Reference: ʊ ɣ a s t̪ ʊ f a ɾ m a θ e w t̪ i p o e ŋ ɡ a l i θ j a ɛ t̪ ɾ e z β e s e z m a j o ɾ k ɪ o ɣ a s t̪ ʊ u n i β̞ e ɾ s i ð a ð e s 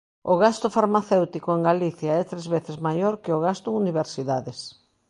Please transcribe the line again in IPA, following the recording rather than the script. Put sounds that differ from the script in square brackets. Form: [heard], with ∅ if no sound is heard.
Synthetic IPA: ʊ ɣ a s t̪ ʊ f a ɾ m a θ e w t̪ i [k] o e ŋ ɡ a l i θ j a ɛ t̪ ɾ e z β e [θ] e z m a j o ɾ k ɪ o ɣ a s t̪ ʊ u n i β̞ e ɾ s i ð a ð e s